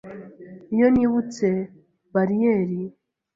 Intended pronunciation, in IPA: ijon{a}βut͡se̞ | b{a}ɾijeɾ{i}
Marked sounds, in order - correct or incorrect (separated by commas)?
incorrect, correct, correct